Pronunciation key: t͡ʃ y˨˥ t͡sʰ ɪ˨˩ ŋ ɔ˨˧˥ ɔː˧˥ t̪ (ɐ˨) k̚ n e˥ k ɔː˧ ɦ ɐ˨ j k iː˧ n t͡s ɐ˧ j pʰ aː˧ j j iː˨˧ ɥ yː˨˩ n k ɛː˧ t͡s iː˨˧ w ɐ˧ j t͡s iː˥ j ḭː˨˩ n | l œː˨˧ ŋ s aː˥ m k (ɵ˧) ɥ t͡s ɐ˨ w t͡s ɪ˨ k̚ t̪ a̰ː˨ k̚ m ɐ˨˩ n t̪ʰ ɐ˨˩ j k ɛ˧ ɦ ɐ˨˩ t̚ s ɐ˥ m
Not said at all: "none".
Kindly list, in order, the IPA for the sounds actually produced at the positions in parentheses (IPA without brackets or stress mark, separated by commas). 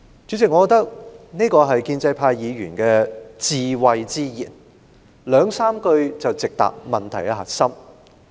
ɐ˥, ɵ˧